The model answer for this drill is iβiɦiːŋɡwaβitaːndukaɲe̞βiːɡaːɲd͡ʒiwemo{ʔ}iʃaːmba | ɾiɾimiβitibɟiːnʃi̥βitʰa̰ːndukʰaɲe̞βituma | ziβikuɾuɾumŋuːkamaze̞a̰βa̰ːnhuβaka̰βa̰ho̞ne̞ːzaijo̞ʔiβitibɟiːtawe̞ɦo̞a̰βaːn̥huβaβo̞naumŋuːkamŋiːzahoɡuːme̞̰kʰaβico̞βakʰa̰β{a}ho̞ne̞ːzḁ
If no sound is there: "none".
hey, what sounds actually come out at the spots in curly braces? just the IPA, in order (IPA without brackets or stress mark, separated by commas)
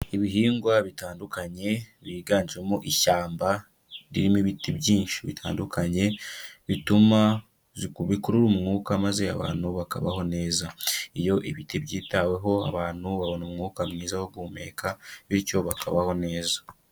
ʔ, a